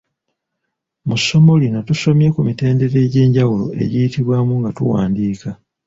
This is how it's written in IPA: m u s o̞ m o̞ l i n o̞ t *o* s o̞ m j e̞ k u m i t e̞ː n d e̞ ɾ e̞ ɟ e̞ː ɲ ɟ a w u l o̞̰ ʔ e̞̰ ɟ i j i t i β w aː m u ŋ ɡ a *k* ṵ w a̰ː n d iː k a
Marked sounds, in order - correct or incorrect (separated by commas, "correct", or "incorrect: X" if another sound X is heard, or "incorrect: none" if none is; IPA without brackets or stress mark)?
incorrect: u, incorrect: t